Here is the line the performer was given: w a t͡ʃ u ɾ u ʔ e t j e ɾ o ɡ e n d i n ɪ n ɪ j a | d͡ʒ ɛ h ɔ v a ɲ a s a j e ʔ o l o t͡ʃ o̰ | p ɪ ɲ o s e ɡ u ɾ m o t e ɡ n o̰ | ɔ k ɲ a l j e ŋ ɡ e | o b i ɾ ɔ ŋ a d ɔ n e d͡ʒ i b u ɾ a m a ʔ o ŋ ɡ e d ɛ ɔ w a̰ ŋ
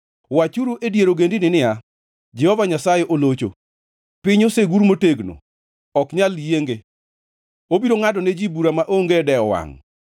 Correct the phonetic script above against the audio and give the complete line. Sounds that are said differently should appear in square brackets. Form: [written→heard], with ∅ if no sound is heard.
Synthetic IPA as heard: w a t͡ʃ u ɾ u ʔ e [t→d] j e ɾ o ɡ e n d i n ɪ n ɪ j a | d͡ʒ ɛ h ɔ v a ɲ a s a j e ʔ o l o t͡ʃ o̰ | p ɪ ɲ o s e ɡ u ɾ m o t e ɡ n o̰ | ɔ k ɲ a l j e ŋ ɡ e | o b i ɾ [ɔ→o] ŋ a d ɔ n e d͡ʒ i b u ɾ a m a ʔ o ŋ ɡ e d ɛ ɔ w a̰ ŋ